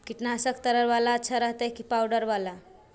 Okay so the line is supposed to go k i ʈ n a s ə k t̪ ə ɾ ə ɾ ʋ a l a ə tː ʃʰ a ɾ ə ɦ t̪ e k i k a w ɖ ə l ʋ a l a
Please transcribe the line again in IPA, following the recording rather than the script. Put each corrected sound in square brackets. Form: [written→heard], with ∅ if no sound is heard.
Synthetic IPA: k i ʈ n a s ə k t̪ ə ɾ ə ɾ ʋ a l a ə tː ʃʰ a ɾ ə ɦ t̪ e k i [k→p] a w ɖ ə [l→ɾ] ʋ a l a